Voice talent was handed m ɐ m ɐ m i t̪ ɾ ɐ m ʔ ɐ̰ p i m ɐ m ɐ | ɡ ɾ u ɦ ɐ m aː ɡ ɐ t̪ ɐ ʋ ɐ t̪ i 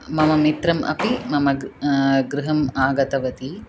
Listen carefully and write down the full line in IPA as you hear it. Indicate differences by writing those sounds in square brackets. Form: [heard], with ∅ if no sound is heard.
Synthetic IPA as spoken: m ɐ m ɐ m i t̪ ɾ ɐ m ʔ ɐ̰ p i m ɐ m ɐ | ɡ ɾ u ɦ ɐ m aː ɡ ɐ t̪ ɐ ʋ ɐ t̪ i

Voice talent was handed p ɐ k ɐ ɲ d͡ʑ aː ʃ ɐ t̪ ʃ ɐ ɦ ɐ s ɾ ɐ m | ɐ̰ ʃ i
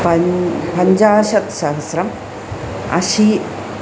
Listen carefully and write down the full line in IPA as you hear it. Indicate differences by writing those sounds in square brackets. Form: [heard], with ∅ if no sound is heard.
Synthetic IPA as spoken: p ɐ [p] ɐ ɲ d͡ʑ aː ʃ ɐ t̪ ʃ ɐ ɦ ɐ s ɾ ɐ m | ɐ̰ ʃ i

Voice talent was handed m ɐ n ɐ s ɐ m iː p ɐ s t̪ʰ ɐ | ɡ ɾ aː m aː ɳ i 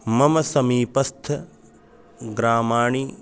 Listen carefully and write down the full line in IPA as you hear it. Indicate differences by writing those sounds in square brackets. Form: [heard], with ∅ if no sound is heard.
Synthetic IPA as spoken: m ɐ [m] ɐ s ɐ m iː p ɐ s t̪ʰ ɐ | ɡ ɾ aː m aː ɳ i

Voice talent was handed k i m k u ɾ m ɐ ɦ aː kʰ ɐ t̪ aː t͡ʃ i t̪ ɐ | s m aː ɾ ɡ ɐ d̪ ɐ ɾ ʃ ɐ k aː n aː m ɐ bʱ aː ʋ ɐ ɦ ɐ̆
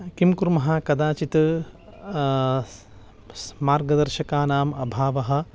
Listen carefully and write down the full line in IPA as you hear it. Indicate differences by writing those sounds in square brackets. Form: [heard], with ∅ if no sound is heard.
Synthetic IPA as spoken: k i m k u ɾ m ɐ ɦ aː [k] ɐ [d̪] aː t͡ʃ i t̪ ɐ | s m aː ɾ ɡ ɐ d̪ ɐ ɾ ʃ ɐ k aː n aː m ɐ bʱ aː ʋ ɐ ɦ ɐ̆

